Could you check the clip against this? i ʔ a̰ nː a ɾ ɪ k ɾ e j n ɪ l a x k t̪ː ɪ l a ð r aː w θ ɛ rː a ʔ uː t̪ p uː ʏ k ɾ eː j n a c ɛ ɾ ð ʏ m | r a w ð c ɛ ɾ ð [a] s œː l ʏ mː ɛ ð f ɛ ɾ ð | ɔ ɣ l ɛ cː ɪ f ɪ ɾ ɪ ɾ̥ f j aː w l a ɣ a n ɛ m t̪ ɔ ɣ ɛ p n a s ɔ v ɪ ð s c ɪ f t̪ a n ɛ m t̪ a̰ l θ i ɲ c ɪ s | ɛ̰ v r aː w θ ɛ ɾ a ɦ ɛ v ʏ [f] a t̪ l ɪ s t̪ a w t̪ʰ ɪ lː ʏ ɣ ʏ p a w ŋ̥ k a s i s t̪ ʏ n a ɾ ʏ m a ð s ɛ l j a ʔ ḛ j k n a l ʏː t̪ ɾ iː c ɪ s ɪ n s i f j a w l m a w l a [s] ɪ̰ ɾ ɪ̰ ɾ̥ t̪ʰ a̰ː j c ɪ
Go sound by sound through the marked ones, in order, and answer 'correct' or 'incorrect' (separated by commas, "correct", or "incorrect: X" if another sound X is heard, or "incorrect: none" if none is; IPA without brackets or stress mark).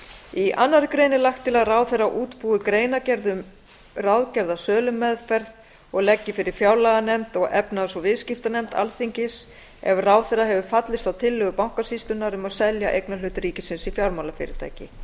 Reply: correct, correct, incorrect: f